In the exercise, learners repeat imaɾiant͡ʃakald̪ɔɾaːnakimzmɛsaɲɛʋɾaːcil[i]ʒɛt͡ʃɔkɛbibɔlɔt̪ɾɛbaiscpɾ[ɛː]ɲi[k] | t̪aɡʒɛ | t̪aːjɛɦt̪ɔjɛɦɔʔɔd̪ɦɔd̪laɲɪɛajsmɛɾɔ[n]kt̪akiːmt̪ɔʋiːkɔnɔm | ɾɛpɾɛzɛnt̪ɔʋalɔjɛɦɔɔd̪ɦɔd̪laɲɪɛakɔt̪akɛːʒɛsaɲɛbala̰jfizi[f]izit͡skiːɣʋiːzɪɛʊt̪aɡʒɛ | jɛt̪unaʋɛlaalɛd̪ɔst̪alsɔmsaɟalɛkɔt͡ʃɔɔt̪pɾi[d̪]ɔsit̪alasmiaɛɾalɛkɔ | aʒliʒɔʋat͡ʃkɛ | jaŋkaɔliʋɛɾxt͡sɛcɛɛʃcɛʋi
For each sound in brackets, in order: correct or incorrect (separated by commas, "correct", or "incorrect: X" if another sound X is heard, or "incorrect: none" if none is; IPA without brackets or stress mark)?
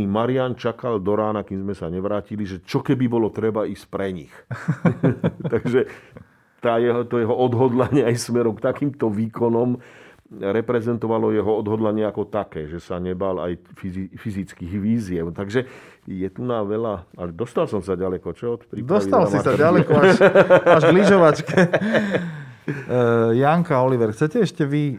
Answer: correct, incorrect: ɛ, incorrect: x, incorrect: m, correct, correct